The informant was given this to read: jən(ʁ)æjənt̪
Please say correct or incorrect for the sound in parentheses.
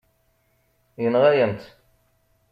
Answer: correct